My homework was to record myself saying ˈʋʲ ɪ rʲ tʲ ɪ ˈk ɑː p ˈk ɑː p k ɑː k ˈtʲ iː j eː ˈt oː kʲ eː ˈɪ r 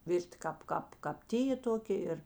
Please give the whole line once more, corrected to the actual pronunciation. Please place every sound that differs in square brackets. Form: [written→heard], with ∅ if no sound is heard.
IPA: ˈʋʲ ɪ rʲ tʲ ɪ ˈk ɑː p ˈk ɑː p k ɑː [k→p] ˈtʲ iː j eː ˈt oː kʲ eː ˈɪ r